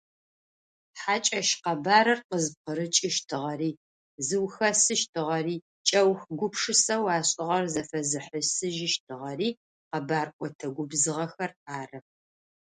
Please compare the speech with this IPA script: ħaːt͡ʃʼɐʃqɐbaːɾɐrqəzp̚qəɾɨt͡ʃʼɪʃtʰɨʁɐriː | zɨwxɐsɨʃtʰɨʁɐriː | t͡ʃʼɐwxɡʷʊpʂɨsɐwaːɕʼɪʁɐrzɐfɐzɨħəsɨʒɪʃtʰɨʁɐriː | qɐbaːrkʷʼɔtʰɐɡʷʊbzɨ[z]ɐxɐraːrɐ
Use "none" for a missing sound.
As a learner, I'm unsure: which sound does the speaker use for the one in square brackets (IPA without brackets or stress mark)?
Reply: ʁ